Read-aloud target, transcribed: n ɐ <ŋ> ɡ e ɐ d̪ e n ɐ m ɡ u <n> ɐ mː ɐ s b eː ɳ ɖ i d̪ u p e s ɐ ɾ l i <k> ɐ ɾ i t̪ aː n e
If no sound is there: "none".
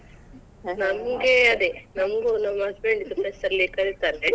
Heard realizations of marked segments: m, n, k

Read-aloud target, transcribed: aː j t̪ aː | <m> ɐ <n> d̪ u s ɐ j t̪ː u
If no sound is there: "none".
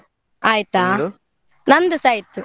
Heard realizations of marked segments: n, n

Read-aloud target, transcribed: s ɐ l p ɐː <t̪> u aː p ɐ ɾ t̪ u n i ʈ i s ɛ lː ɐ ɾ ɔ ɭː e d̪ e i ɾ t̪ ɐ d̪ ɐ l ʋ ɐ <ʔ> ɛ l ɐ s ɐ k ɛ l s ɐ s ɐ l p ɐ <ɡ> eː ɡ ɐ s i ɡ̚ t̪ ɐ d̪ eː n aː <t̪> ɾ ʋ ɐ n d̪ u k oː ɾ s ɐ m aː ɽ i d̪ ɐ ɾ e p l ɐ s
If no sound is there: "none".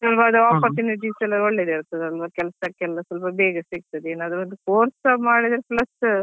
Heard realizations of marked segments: d̪, k, b, d̪

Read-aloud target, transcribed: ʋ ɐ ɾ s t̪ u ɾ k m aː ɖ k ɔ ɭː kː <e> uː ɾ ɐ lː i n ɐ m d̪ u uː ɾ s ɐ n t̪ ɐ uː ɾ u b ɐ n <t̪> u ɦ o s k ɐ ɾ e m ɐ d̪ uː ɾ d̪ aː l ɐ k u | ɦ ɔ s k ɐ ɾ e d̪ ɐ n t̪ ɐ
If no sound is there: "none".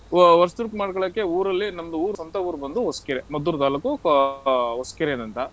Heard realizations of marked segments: e, d̪

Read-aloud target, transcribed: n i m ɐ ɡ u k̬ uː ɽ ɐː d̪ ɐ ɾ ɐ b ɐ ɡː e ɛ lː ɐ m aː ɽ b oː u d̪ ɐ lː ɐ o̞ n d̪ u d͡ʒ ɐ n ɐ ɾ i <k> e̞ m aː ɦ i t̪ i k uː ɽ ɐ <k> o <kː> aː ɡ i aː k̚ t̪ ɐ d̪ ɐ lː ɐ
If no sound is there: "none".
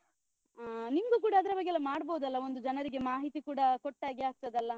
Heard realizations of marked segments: ɡ, k, ʈː

